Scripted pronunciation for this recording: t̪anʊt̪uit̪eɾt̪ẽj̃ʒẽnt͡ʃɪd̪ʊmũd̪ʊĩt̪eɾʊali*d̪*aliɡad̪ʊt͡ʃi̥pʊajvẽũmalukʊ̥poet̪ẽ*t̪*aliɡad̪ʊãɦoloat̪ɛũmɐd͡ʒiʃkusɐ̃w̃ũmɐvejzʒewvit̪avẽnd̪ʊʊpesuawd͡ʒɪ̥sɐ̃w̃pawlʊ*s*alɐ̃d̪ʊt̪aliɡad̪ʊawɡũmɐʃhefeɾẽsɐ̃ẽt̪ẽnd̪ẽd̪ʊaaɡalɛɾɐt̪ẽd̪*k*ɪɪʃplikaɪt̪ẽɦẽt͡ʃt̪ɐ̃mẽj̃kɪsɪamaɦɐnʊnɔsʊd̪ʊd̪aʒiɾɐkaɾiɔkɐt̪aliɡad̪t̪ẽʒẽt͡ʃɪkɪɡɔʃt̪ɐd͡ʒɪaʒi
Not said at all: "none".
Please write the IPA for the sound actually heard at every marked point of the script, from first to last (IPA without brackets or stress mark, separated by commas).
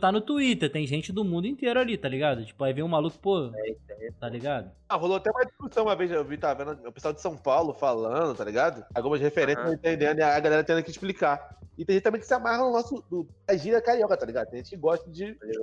t̪, t̪, f, k